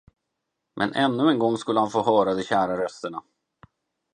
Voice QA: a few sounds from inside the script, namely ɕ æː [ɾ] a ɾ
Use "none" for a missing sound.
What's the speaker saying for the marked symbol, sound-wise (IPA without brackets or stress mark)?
ɾ